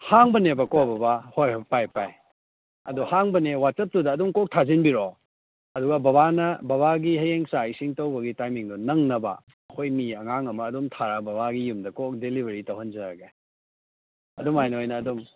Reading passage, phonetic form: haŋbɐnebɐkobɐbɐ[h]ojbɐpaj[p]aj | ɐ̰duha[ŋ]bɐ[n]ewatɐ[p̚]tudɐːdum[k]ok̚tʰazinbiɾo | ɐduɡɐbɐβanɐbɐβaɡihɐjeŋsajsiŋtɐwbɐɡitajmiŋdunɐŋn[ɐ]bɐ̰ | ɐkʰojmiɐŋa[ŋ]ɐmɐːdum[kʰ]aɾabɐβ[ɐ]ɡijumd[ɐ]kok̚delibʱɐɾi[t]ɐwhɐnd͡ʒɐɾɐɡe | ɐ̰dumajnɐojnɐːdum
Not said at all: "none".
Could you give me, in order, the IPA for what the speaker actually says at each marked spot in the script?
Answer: h, p, ŋ, n, p̚, k, ɐ, ŋ, tʰ, a, ɐ, t

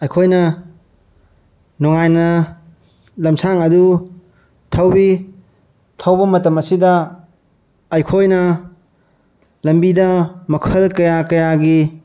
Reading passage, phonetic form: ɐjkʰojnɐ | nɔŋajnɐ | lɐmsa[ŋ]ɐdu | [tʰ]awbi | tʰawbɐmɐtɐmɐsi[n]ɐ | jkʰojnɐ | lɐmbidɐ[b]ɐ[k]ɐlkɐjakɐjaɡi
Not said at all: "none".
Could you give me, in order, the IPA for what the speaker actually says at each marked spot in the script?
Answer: ŋ, tʰ, d, m, kʰ

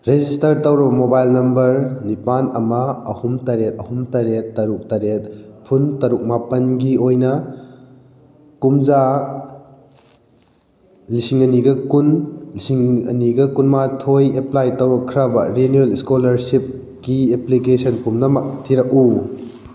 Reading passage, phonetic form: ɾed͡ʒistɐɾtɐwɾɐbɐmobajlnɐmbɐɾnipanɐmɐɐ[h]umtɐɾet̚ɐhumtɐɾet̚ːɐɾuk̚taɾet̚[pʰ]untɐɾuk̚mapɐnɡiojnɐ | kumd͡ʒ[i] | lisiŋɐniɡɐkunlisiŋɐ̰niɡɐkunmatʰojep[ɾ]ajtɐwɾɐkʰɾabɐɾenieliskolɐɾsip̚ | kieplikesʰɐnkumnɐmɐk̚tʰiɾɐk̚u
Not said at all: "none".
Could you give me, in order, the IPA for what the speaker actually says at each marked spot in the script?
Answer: h, pʰ, a, l

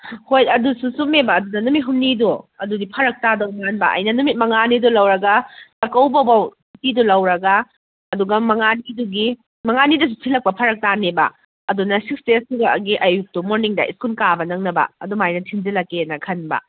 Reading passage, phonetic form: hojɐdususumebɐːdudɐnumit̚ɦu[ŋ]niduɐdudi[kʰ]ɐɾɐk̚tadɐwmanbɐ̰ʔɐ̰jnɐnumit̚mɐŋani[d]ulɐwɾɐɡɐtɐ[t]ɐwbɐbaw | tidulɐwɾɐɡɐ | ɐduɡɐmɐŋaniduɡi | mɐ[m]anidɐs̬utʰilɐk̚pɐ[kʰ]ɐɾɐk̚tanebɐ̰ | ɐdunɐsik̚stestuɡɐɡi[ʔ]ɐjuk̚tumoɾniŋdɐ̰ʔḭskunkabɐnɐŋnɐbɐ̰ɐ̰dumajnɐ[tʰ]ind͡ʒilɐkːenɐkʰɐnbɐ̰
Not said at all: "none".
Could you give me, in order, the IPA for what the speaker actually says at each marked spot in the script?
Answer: m, pʰ, d, k, ŋ, pʰ, ʔ, tʰ

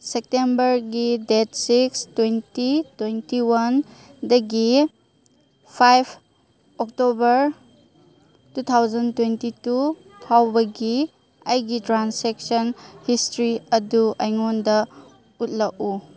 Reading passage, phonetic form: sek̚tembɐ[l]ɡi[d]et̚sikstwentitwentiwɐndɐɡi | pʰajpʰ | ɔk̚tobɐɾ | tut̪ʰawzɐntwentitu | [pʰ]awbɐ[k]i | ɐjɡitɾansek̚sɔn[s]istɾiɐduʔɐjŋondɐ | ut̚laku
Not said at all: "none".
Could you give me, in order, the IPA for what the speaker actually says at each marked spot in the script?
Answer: ɾ, d, tʰ, ɡ, h

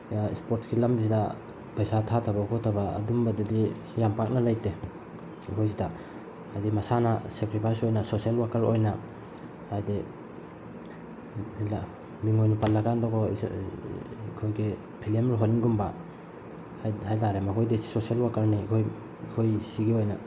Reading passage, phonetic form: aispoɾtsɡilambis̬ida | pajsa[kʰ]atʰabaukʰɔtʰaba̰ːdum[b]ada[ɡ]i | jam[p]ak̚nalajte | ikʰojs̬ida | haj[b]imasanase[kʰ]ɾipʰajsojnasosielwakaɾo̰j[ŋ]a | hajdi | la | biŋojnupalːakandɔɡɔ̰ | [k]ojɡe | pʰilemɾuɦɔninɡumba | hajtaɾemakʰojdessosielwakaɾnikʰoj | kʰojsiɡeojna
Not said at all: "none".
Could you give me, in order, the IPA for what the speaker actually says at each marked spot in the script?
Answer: tʰ, b, d, p, d, k, n, kʰ

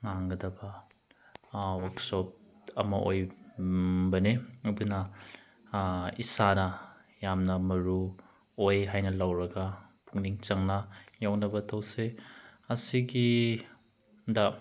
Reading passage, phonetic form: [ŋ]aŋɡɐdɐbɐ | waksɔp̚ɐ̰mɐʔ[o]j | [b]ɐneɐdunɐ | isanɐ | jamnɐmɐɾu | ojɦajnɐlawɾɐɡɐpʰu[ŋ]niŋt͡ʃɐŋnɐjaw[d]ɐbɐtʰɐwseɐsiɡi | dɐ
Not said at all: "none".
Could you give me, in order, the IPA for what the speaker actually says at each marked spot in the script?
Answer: ŋ, o, b, ŋ, n

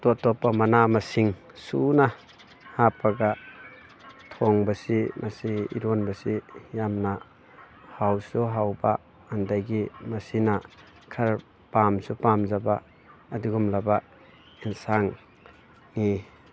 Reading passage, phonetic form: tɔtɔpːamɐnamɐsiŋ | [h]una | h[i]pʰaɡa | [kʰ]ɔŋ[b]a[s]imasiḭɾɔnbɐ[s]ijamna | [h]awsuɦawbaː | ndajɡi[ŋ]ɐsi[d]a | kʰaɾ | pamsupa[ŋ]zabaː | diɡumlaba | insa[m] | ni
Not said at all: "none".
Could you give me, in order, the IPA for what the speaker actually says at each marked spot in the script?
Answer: s, a, tʰ, b, s, s, h, m, n, m, ŋ

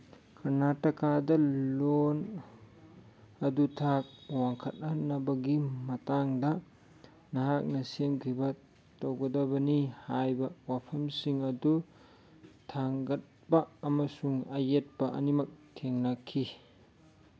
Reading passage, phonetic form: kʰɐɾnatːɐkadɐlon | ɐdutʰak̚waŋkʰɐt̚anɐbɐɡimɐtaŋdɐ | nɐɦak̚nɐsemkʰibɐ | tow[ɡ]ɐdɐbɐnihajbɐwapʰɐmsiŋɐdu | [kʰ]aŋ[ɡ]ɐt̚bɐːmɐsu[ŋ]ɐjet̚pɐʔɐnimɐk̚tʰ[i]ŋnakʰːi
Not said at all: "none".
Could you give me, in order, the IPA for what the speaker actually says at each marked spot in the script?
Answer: ɡ, tʰ, ɡ, ŋ, e

